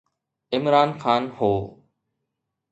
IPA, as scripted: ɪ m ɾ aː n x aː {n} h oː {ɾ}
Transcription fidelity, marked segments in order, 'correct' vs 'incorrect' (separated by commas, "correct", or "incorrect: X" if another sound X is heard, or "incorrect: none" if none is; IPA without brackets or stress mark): correct, incorrect: none